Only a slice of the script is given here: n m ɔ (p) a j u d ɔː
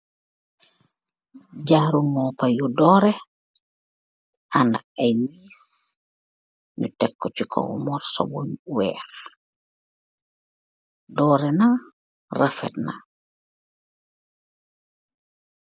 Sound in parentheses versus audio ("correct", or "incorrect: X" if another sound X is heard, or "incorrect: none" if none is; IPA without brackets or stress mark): correct